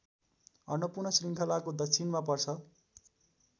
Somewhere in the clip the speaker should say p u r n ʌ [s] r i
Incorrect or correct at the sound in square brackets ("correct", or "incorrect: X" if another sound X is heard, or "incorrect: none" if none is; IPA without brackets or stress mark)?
correct